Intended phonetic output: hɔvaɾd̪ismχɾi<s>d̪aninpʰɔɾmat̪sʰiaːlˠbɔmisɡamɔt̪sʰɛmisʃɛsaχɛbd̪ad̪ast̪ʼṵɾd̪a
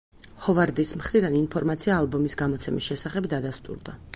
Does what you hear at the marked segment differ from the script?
yes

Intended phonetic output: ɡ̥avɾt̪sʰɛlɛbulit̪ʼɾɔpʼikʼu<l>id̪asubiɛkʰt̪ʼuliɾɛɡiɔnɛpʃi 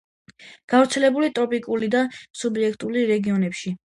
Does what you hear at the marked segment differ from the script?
no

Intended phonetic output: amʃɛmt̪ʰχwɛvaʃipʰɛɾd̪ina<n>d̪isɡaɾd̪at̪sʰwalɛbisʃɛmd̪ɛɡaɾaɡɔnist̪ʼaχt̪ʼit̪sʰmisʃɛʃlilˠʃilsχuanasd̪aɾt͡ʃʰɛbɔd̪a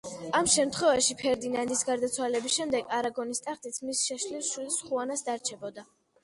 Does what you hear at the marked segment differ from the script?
no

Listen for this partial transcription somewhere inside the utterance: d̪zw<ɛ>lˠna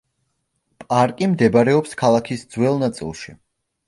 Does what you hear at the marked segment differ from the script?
no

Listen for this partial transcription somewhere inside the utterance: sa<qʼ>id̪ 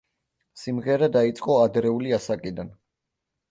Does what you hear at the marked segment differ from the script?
yes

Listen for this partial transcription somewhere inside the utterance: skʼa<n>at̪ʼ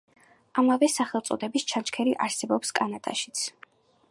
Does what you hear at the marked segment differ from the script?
no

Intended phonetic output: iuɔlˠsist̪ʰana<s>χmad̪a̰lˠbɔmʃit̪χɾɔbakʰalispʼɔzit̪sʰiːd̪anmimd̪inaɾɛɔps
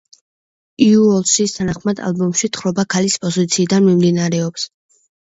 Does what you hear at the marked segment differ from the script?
yes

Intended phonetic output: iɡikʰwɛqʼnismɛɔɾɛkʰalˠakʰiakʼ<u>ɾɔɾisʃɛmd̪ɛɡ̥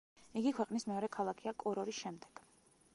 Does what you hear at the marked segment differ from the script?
yes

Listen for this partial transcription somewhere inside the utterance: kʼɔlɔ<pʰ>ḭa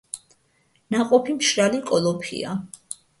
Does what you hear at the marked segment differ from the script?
no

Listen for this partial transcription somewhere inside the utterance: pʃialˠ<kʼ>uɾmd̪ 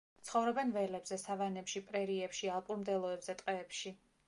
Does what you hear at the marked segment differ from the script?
yes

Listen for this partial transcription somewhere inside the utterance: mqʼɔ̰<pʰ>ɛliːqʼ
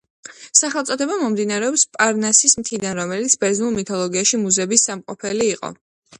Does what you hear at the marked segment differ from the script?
no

